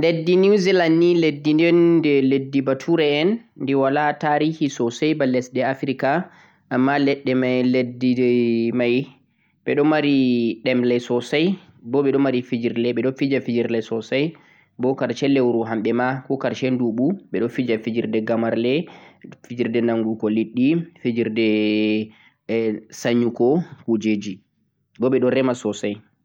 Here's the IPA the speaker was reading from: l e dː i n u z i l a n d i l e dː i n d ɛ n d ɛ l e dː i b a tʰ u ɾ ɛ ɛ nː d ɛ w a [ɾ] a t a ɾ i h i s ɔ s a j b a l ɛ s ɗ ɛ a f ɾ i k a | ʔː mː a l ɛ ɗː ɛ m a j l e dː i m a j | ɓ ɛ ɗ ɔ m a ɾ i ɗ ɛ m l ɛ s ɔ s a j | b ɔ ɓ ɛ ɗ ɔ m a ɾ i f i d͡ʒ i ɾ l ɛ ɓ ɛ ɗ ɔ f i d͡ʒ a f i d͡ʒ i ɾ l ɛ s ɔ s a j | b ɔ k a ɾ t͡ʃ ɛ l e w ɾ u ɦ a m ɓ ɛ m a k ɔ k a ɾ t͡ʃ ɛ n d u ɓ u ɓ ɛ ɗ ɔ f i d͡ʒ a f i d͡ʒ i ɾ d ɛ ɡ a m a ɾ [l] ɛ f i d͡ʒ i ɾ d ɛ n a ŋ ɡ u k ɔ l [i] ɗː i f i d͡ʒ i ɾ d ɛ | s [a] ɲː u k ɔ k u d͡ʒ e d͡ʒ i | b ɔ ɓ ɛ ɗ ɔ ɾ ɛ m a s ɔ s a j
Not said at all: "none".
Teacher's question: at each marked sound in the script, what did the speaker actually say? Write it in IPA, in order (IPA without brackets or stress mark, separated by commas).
l, l, i, a